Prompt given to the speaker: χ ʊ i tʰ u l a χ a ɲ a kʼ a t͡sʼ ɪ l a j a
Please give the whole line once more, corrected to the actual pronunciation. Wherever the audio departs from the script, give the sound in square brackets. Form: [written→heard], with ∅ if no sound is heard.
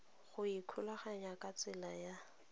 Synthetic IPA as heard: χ ʊ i [tʰ→kʰ] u l a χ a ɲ a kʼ a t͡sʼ ɪ l a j a